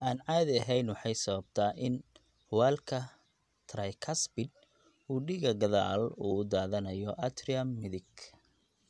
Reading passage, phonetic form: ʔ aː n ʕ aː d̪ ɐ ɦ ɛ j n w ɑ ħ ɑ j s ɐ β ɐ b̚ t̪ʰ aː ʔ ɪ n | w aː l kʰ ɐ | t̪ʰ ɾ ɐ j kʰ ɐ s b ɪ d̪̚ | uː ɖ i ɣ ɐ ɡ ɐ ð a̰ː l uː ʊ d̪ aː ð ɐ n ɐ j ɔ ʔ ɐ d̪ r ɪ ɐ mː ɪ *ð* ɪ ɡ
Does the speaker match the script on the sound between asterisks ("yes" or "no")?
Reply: yes